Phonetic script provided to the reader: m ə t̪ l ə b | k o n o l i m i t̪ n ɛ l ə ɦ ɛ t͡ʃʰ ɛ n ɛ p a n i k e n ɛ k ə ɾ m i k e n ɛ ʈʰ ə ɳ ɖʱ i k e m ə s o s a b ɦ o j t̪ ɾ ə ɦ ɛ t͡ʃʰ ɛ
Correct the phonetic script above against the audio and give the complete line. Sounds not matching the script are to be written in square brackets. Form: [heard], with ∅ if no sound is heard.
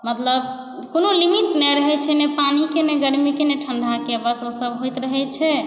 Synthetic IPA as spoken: m ə t̪ l ə b | k o n o l i m i t̪ n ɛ [ɾ] ə ɦ ɛ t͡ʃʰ ɛ n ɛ p a n i k e n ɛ [ɡ] ə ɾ m i k e n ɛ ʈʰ ə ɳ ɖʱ [a] k e [b] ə s o s [ə] b ɦ o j t̪ ɾ ə ɦ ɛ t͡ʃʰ ɛ